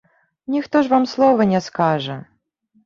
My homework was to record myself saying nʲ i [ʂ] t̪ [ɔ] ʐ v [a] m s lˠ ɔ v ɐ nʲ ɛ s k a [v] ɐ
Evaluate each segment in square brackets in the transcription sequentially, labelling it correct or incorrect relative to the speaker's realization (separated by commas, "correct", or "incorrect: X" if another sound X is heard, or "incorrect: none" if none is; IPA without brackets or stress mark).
incorrect: x, correct, correct, incorrect: ʐ